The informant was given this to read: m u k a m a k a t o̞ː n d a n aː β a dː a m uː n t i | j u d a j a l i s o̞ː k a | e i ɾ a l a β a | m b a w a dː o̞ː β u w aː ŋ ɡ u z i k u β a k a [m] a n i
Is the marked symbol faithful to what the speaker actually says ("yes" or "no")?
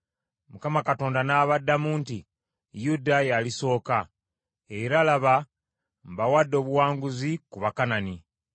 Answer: no